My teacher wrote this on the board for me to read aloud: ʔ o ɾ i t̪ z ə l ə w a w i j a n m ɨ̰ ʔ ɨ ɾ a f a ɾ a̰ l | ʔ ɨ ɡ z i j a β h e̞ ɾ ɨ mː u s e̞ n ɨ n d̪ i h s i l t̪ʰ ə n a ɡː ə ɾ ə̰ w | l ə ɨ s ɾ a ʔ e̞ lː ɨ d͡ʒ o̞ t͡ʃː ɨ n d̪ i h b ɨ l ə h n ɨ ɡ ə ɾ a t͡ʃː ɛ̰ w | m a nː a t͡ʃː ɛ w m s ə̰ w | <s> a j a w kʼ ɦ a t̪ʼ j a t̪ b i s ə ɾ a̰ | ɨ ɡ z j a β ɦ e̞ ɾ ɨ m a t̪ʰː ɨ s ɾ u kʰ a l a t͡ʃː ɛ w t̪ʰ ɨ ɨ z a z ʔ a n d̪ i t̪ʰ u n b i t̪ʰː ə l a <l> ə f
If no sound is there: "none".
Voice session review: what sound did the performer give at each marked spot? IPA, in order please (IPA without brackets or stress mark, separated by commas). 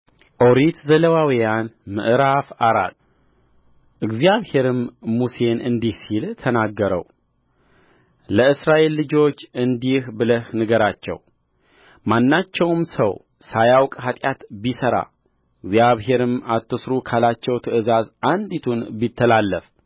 s, lː